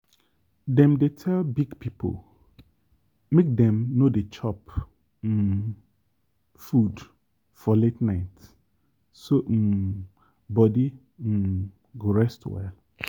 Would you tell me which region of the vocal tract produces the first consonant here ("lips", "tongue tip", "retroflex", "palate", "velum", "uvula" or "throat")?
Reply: tongue tip